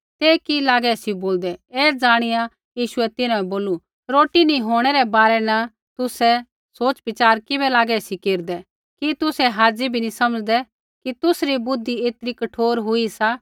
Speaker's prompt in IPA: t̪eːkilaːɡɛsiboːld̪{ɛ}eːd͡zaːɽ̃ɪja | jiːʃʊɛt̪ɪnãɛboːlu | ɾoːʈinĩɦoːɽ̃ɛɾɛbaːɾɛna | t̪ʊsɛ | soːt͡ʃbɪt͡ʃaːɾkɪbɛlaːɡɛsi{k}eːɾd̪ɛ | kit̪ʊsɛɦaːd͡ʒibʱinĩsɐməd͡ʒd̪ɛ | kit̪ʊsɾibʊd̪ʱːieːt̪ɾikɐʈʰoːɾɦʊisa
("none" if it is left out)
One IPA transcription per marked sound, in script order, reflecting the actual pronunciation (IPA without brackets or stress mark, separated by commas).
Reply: ɛ, k